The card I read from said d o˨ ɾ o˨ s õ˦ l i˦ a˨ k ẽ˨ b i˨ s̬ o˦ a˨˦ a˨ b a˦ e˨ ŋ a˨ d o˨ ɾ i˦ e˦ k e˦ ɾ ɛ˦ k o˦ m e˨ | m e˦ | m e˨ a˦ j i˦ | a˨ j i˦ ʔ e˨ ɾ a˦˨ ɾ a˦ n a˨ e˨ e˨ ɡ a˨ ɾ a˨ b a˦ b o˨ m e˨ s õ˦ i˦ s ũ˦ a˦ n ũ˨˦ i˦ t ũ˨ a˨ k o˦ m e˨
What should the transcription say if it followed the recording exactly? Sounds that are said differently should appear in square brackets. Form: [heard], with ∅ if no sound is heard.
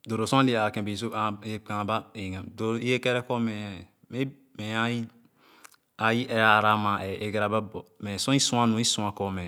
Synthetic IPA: d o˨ ɾ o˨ s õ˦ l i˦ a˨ k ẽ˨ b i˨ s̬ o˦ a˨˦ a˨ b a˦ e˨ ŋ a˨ d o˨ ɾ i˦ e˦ k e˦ ɾ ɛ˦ k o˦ m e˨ | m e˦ | m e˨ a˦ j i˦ | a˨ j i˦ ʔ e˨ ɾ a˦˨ ɾ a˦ [m] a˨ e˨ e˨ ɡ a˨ ɾ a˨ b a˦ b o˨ m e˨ s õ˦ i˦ s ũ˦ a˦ n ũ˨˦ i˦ [s] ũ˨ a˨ k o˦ m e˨